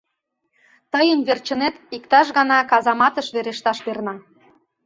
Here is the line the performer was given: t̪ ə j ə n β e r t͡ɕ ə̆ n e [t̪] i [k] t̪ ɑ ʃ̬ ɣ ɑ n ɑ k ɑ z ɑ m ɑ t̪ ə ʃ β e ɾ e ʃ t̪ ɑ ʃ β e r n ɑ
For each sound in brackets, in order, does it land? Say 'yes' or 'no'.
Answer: yes, yes

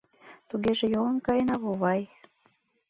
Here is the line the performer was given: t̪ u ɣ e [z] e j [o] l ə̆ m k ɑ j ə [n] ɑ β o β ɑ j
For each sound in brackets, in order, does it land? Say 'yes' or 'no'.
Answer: no, yes, yes

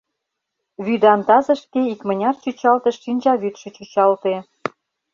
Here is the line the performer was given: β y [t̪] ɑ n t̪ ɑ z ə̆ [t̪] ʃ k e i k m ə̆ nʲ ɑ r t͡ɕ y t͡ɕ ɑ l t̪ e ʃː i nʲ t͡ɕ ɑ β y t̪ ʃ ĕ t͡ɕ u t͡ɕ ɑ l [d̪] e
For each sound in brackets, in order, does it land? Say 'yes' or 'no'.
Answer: no, no, no

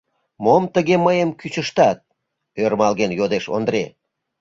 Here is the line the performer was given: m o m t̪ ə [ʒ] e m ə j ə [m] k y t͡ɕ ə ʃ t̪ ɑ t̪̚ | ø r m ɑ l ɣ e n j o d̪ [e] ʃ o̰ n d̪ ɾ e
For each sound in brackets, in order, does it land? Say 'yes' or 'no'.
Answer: no, yes, yes

